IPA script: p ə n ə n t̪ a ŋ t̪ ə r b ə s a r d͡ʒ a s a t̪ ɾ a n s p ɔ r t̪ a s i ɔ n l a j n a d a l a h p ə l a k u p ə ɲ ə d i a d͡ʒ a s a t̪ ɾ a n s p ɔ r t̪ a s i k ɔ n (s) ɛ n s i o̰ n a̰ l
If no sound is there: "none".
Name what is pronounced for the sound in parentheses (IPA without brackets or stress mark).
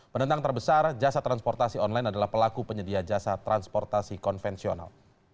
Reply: f